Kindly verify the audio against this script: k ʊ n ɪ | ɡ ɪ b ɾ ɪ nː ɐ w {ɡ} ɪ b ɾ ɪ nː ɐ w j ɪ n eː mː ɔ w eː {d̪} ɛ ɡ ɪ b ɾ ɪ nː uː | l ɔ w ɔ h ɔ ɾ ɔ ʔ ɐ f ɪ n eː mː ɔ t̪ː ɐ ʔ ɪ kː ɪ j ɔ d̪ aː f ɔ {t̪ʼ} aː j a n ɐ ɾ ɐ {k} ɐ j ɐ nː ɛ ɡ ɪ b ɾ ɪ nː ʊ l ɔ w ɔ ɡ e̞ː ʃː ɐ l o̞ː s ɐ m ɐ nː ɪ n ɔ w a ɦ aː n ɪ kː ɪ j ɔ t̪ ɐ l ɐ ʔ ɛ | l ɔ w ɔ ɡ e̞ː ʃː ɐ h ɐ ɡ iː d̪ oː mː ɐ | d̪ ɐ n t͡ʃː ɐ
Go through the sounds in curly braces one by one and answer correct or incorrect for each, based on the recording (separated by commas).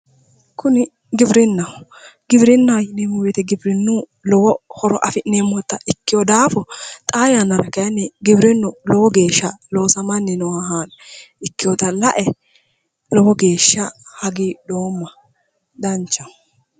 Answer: correct, incorrect, correct, correct